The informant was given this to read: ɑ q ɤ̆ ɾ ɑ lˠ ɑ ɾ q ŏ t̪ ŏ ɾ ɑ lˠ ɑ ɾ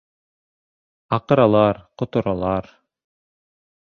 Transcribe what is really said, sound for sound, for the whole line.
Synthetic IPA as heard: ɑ q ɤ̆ ɾ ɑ lˠ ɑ ɾ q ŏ t̪ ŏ ɾ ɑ lˠ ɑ ɾ

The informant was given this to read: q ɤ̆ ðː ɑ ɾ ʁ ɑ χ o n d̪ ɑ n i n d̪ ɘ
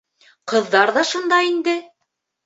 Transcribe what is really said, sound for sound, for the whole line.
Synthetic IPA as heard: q ɤ̆ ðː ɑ ɾ ð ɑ ʃ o n d̪ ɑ i n d̪ ɘ

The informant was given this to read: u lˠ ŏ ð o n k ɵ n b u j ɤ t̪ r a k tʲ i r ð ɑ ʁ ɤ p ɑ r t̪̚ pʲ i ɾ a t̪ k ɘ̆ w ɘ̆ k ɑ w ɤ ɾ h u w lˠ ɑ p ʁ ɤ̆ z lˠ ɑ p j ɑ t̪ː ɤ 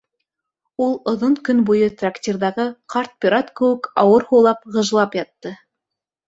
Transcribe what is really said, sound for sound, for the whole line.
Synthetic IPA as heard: u lˠ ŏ ð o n k ɵ n b u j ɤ t̪ r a k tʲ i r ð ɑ ʁ ɤ q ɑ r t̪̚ pʲ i ɾ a t̪ k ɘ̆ w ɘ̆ k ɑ w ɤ ɾ h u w lˠ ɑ p ʁ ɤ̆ ʒ lˠ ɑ p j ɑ t̪ː ɤ

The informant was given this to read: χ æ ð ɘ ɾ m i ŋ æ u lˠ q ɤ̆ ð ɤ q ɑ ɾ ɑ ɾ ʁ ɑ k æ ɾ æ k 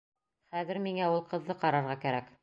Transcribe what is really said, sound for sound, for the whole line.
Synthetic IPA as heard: χ æ ð ɘ ɾ m i ŋ æ u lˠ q ɤ̆ ðː ɤ q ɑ ɾ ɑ ɾ ʁ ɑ k æ ɾ æ k

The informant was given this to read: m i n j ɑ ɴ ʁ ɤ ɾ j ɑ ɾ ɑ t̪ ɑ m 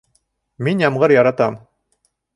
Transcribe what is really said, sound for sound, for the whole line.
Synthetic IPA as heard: m i n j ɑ m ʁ ɤ ɾ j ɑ ɾ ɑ t̪ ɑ m

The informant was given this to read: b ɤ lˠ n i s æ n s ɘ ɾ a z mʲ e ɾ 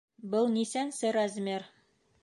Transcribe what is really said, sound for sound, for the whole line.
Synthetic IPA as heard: b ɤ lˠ n i s æ n s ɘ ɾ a z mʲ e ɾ

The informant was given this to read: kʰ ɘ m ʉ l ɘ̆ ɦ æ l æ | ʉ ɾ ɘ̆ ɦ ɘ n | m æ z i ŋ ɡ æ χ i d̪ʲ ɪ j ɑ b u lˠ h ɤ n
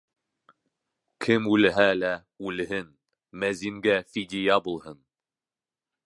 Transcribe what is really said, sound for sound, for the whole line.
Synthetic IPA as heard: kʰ ɘ m ʉ l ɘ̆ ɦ æ l æ | ʉ l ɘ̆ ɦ ɘ n | m æ z i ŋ ɡ æ f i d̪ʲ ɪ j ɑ b u lˠ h ɤ n

